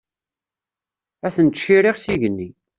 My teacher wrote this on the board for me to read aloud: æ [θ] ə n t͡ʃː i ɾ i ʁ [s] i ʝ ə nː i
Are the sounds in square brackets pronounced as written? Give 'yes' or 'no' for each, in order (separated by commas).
yes, yes